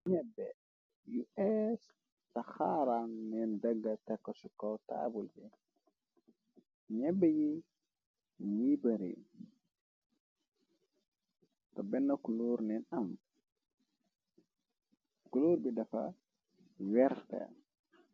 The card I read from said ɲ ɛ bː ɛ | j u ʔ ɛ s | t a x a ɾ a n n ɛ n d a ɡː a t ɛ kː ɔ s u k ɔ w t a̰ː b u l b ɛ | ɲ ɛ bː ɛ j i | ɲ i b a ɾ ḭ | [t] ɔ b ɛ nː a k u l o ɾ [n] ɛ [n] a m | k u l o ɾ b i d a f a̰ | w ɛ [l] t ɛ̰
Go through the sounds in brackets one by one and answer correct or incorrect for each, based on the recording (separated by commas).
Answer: correct, correct, correct, incorrect